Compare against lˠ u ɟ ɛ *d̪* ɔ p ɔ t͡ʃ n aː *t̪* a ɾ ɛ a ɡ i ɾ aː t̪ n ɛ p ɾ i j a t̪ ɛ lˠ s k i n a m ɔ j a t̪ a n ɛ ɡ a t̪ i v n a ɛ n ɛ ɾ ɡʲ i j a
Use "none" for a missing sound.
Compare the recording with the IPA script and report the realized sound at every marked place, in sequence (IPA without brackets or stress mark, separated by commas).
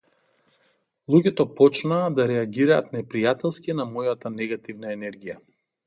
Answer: t̪, d̪